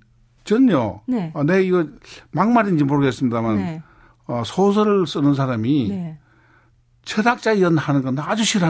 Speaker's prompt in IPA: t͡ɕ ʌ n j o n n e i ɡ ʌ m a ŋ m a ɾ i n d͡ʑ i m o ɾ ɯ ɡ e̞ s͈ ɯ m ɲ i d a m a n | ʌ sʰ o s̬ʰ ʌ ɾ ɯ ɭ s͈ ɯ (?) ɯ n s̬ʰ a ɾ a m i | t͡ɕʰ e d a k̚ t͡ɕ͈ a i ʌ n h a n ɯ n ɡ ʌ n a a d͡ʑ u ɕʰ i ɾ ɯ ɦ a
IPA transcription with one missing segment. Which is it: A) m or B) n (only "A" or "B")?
B